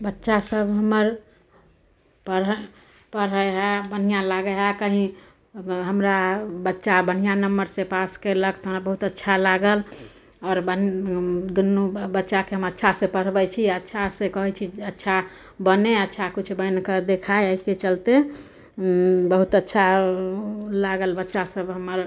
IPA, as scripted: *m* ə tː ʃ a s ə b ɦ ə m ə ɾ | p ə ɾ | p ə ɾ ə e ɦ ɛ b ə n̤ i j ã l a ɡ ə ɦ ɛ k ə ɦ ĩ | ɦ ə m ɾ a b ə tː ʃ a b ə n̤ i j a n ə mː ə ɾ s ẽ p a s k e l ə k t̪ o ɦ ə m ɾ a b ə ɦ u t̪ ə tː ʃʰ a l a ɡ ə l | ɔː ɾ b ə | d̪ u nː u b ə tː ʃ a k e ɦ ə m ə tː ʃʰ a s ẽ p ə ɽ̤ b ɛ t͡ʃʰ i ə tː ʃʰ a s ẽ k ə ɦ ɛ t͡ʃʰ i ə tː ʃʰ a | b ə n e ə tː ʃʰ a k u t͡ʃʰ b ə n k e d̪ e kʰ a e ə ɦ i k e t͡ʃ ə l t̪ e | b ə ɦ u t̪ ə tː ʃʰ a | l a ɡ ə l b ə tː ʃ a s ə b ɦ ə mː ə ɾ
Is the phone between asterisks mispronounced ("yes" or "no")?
yes